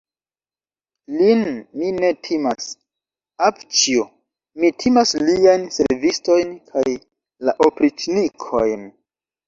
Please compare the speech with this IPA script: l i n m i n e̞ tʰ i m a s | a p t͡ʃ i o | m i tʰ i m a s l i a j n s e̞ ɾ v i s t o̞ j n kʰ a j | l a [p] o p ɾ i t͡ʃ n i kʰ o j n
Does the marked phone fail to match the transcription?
yes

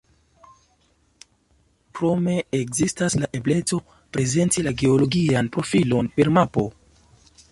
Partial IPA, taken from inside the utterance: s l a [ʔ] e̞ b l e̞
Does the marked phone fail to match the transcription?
no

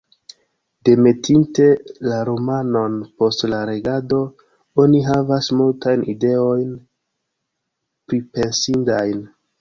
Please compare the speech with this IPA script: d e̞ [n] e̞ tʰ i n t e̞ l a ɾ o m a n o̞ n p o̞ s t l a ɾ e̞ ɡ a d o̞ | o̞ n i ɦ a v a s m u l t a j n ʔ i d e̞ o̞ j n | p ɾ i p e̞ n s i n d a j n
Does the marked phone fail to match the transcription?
yes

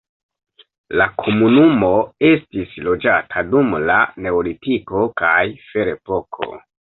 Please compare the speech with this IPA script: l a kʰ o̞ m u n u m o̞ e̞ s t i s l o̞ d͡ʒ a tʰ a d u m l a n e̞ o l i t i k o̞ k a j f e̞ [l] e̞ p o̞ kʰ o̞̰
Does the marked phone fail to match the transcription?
yes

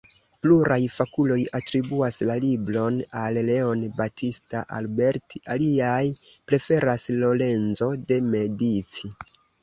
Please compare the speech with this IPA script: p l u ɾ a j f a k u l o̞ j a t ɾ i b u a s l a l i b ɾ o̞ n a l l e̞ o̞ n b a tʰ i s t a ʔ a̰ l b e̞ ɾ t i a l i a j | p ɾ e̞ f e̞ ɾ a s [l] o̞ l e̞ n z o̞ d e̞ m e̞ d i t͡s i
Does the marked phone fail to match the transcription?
no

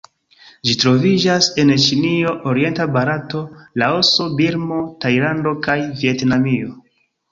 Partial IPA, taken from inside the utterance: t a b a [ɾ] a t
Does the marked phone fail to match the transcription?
no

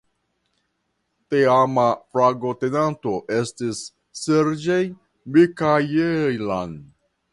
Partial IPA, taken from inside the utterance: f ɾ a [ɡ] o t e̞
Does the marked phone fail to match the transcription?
no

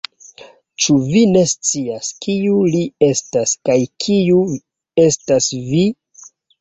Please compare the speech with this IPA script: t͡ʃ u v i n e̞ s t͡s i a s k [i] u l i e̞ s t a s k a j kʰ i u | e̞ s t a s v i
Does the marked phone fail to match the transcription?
no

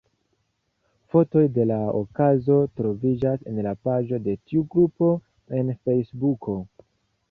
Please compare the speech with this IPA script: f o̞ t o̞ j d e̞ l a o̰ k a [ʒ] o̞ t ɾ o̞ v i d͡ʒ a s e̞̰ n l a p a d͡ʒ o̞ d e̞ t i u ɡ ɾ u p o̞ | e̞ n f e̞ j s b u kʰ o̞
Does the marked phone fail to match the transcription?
yes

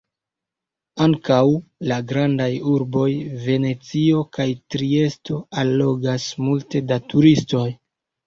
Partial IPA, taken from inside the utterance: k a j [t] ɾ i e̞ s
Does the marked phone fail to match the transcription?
no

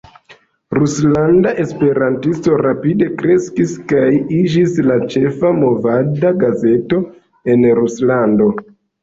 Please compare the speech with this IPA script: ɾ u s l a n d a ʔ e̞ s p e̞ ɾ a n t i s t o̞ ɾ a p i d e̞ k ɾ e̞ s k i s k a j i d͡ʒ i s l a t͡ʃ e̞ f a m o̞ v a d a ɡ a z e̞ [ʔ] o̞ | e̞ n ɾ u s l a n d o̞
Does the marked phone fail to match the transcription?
yes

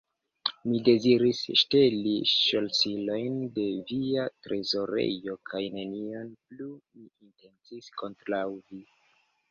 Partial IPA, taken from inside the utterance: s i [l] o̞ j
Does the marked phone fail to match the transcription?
no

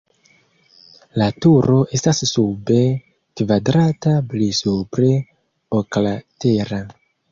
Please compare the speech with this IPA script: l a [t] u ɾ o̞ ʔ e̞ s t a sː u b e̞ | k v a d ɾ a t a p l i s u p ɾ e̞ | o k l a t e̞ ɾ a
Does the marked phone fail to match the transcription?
no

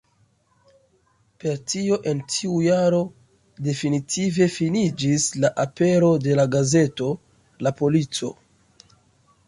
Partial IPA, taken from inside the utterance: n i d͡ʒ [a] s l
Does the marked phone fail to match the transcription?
yes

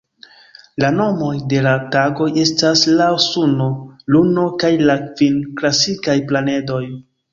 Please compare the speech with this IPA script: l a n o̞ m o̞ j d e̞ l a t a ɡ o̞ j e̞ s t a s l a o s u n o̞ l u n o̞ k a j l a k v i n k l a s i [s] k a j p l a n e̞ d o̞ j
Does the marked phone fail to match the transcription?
yes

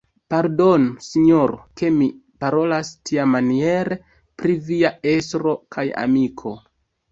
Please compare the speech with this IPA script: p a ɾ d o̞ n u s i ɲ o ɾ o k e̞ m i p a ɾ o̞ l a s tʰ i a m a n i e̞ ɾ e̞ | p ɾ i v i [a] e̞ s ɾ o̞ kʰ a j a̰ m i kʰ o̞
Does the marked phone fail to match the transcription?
no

